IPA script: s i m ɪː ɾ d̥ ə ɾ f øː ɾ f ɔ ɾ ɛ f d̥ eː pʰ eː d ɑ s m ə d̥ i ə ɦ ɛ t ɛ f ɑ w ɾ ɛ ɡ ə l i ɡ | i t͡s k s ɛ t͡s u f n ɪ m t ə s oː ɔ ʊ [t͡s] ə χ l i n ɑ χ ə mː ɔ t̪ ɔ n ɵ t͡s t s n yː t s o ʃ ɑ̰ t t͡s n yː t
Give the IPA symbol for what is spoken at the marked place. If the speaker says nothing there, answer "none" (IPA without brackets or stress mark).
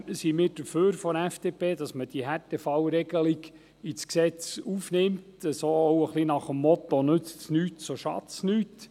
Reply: none